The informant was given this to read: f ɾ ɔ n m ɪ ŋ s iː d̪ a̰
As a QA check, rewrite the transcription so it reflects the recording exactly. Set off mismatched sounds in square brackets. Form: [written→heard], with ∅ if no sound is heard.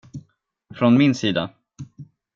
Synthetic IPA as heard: f ɾ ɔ n m ɪ [ŋ→n] s iː d̪ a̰